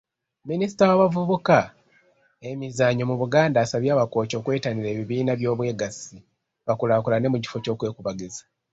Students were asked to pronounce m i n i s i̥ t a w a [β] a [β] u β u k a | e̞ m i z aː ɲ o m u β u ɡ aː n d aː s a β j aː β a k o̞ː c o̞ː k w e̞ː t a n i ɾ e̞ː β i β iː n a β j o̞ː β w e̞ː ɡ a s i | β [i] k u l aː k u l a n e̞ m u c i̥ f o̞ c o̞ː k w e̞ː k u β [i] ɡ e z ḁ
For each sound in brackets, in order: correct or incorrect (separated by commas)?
correct, incorrect, incorrect, incorrect